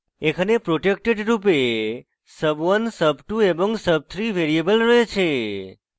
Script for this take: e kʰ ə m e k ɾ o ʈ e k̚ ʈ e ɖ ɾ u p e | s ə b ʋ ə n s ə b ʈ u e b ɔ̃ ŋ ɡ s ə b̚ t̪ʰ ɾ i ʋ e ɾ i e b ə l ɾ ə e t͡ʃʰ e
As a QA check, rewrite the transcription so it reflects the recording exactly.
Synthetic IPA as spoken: e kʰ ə n e p ɾ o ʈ e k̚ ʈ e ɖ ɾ u p e | s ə b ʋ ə n s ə b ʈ u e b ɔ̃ ŋ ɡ s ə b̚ t̪ʰ ɾ i ʋ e ɾ i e b ə l ɾ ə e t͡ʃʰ e

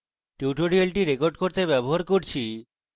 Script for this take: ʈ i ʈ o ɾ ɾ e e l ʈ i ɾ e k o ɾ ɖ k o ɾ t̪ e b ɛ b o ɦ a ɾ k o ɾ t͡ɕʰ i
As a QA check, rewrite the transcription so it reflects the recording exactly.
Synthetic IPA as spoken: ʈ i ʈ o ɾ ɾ i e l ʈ i ɾ e k o ɾ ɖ k o ɾ t̪ e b ɛ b o ɦ a ɾ k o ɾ t͡ɕʰ i

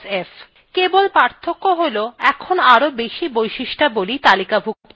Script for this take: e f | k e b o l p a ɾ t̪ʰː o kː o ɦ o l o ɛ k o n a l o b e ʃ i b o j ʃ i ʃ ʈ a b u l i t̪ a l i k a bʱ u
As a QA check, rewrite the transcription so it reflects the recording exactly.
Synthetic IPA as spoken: e f | k e b o l p a ɾ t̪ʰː o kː o ɦ o l o ɛ kʰ o n a ɾ o b e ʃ i b o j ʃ i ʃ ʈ a b o l i t̪ a l i k a bʱ u

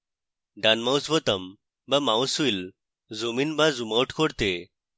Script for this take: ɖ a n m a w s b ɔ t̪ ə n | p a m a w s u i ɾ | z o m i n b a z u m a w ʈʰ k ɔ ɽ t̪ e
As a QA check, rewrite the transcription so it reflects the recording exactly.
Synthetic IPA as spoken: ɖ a n m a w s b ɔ t̪ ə m | b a m a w s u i l | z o m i n b a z u m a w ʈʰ k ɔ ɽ t̪ e

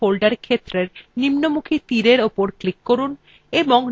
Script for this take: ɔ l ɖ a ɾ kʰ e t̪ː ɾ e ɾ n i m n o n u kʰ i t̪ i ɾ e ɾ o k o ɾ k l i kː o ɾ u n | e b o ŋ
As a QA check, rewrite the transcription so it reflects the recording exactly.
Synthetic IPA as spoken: o l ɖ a ɾ kʰ e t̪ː ɾ e ɾ n i m n o m u kʰ i t̪ i ɾ e ɾ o p o ɾ k l i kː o ɾ u n | e b o ŋ

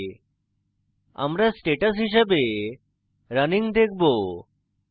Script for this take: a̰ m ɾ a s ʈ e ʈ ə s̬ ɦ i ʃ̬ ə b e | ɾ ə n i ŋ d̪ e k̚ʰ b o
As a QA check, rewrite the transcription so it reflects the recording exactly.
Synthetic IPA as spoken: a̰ m ɾ a s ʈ e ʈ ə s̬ ɦ i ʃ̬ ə b e | ɾ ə n i ŋ d̪ e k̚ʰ b o

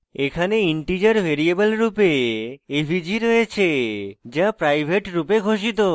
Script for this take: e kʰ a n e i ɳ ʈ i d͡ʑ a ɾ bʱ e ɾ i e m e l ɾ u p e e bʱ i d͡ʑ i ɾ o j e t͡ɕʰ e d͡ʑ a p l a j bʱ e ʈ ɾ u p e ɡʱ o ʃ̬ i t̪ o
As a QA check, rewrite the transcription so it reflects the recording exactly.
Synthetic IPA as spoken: e kʰ a n e i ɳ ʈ i d͡ʑ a ɾ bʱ e ɾ i e b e l ɾ u p e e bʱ i d͡ʑ i ɾ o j e t͡ɕʰ e d͡ʑ a p ɾ a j bʱ e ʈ ɾ u p e ɡʱ o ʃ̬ i t̪ o

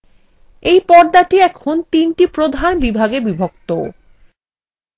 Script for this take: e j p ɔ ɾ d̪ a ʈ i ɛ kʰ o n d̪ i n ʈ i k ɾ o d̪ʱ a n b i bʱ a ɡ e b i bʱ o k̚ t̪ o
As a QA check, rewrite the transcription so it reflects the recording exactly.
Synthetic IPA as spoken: e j p ɔ ɾ d̪ a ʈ i ɛ kʰ o n t̪ i n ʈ i p ɾ o d̪ʱ a n b i bʱ a ɡ e b i bʱ o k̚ t̪ o

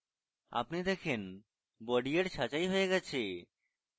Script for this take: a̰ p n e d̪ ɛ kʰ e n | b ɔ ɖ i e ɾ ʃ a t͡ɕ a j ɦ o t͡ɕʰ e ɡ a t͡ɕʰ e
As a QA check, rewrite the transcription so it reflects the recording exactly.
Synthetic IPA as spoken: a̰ p n i d̪ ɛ kʰ e n | b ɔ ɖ i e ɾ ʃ a t͡ɕ a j ɦ o e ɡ ɛ t͡ɕʰ e

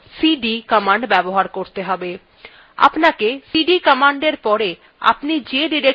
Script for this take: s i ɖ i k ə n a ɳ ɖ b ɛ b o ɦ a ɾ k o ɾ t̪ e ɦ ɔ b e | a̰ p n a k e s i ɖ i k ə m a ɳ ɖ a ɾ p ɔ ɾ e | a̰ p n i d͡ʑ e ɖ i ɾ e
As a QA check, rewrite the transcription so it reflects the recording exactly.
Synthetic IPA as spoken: s i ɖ i k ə m a ɳ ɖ b ɛ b o ɦ a ɾ k o ɾ t̪ e ɦ ɔ b e | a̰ p n a k e s i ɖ i k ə m a ɳ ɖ e ɾ p ɔ ɾ e | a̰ p n i d͡ʑ e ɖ i ɾ e

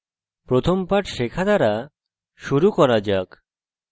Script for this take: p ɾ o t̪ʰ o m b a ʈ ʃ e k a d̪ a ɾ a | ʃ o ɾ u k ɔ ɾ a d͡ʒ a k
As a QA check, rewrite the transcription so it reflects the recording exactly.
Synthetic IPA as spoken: p ɾ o t̪ʰ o m p a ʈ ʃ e kʰ a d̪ a ɾ a | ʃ u ɾ u k ɔ ɾ a d͡ʒ a k

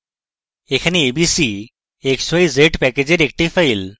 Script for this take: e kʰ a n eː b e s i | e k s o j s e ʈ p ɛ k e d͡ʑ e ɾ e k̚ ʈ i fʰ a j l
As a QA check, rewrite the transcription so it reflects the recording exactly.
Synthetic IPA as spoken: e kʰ a n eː b i s i | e k s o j z e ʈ p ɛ k e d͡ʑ e ɾ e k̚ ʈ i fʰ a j l

